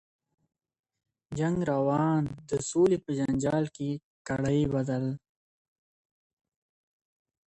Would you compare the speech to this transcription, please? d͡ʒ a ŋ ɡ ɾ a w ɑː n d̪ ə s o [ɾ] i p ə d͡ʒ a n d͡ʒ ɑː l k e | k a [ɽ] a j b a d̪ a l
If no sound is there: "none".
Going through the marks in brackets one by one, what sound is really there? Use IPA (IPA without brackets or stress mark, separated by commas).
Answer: l, ɽ